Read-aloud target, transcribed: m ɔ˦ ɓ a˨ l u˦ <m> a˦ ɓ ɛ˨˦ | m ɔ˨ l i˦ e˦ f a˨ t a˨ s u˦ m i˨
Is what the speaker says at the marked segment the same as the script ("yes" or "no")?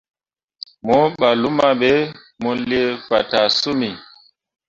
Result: yes